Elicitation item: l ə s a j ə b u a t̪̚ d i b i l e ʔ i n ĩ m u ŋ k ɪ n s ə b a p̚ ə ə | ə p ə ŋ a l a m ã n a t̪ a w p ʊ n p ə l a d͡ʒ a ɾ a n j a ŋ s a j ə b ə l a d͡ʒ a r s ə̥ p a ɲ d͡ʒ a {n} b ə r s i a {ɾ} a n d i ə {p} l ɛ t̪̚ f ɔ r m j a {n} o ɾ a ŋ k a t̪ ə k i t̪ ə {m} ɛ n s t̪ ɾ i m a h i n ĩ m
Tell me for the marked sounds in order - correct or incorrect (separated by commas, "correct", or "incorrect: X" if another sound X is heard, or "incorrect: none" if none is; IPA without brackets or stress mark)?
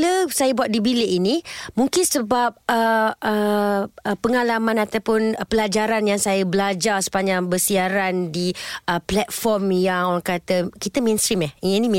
incorrect: ŋ, correct, correct, incorrect: ŋ, correct